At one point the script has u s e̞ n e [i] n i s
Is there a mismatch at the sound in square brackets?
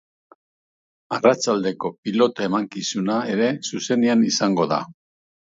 yes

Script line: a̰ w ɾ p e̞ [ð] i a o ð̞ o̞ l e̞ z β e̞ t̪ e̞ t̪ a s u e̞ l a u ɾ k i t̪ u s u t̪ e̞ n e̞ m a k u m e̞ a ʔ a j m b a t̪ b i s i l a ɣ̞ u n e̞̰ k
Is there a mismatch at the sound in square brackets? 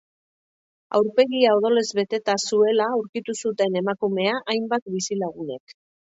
yes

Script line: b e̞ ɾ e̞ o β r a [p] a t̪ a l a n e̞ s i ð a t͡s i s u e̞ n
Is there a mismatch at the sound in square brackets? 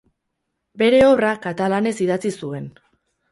yes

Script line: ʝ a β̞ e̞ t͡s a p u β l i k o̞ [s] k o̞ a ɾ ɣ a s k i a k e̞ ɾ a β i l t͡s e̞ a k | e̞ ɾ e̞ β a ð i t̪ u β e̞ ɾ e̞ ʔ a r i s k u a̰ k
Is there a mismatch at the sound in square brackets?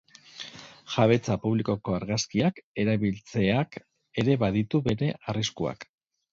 yes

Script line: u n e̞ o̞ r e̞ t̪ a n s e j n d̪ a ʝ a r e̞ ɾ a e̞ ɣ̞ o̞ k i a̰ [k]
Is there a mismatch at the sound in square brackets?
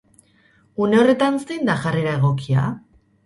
yes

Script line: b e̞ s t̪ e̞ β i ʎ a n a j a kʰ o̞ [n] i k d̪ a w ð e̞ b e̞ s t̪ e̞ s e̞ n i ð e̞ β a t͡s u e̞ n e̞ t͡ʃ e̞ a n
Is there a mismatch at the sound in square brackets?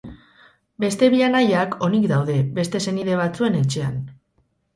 no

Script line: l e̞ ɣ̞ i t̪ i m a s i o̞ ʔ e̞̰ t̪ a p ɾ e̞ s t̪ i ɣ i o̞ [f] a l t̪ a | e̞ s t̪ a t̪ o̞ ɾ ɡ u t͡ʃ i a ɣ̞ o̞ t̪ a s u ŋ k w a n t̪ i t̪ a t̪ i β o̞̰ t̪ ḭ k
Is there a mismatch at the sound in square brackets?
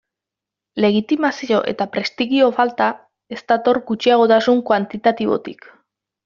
no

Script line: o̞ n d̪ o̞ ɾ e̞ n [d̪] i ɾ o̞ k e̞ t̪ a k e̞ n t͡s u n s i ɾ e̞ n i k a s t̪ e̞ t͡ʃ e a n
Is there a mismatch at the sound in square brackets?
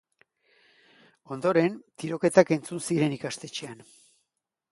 yes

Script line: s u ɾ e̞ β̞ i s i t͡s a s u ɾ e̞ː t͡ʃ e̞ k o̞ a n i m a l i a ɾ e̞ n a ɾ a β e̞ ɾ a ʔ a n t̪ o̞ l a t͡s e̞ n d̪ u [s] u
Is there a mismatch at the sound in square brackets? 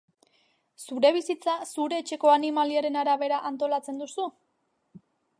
no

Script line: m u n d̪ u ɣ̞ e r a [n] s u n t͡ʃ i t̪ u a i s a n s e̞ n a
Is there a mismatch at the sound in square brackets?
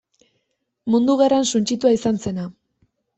no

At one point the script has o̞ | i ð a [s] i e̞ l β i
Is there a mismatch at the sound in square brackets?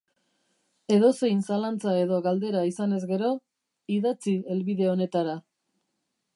yes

